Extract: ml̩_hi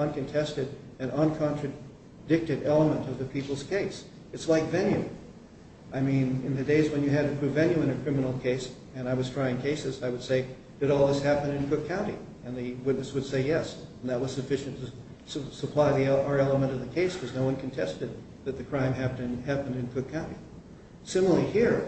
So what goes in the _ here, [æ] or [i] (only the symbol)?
i